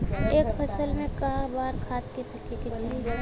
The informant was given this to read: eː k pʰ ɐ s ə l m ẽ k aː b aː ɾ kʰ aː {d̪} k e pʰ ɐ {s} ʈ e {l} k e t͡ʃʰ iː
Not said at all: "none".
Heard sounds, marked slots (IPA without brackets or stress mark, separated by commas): t̪, none, none